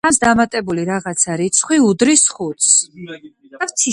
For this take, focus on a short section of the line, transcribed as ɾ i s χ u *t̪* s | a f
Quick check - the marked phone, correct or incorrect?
correct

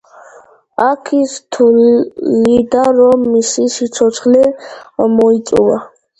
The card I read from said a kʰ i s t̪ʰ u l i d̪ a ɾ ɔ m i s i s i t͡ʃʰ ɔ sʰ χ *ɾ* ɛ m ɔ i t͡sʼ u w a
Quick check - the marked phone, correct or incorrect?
incorrect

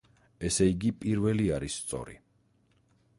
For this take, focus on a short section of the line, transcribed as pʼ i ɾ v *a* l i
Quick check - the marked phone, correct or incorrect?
incorrect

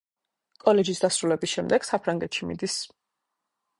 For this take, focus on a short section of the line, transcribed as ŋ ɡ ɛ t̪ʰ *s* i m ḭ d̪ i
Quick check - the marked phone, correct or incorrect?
incorrect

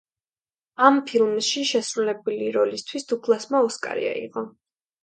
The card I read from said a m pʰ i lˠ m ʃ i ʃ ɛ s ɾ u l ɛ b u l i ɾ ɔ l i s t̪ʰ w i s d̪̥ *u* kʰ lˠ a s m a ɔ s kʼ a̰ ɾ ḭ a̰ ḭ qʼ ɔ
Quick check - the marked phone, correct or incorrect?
correct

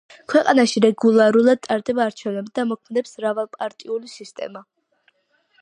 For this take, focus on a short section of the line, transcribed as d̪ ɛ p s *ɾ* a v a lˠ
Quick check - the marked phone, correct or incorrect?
correct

